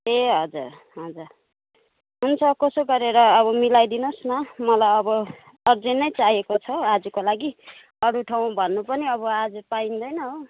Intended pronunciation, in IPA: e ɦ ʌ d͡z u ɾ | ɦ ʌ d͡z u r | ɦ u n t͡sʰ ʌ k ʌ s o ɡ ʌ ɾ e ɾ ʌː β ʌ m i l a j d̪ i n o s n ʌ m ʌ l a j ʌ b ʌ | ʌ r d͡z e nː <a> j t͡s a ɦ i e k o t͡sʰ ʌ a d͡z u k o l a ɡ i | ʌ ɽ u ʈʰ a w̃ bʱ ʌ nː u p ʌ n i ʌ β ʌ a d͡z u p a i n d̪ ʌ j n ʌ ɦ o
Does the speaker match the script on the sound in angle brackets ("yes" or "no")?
no